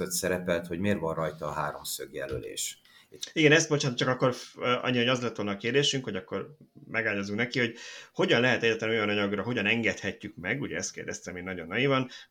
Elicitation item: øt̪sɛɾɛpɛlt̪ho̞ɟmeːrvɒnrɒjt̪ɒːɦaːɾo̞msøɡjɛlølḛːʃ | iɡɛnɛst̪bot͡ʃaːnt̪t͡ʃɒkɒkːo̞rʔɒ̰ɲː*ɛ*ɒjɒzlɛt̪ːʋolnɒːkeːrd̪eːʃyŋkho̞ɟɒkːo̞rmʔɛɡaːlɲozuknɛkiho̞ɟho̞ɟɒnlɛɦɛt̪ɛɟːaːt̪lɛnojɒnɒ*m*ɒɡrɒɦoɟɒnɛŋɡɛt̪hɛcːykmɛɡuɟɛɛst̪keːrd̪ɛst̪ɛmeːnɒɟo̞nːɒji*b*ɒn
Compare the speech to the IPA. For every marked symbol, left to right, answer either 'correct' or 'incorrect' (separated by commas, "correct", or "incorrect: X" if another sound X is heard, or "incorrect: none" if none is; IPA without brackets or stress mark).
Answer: incorrect: i, incorrect: ɲ, incorrect: v